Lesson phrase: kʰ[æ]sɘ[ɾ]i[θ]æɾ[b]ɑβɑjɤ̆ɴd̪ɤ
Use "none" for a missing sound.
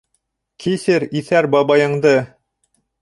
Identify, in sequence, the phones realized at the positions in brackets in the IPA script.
i, ɾ, θ, b

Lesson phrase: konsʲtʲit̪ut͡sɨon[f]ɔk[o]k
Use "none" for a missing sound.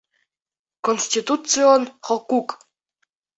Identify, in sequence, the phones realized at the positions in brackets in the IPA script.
χ, u

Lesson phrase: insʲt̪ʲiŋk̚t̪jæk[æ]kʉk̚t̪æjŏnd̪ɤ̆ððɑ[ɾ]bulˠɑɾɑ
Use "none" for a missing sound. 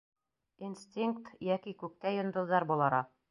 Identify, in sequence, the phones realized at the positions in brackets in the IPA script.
i, ɾ

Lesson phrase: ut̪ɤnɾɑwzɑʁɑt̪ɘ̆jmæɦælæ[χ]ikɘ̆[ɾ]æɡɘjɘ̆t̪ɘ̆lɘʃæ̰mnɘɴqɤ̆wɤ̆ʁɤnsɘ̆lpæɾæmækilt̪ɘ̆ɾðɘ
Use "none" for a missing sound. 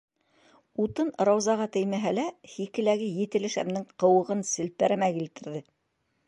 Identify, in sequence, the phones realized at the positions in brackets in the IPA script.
h, l

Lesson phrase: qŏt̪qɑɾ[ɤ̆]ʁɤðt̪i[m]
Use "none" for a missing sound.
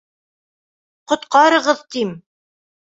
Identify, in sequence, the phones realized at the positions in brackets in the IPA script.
ɤ̆, m

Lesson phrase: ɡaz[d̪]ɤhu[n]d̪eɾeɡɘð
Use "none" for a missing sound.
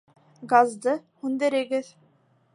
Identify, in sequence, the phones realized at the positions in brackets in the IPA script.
d̪, n

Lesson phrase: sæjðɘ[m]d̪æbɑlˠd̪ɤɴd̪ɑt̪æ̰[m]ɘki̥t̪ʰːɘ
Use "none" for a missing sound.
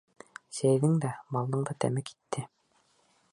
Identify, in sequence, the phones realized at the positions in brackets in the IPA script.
ŋ, m

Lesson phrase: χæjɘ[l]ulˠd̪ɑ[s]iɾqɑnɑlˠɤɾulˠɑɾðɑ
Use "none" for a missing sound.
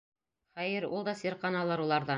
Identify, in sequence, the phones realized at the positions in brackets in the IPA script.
ɾ, s

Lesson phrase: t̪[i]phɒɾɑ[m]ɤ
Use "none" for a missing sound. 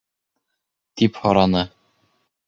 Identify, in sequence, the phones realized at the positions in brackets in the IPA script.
i, n

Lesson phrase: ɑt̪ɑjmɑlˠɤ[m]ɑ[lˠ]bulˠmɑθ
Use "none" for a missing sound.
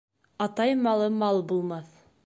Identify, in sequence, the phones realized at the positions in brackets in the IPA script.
m, lˠ

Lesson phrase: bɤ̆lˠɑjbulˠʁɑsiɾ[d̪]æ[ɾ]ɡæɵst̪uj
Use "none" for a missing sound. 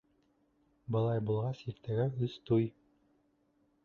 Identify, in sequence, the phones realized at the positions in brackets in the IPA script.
t̪, none

